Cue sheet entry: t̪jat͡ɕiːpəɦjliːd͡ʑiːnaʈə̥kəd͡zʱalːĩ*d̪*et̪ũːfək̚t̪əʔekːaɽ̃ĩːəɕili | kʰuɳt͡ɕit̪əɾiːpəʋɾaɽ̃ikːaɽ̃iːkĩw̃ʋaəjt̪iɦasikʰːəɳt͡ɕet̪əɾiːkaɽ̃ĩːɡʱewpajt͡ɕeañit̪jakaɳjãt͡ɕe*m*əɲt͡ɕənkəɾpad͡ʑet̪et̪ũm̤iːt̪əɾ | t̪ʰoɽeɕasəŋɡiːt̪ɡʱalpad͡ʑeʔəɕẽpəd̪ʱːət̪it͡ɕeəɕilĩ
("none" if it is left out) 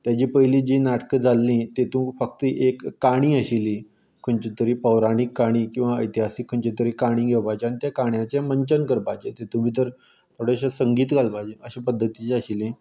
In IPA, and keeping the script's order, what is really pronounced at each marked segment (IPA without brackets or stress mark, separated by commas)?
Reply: t̪, m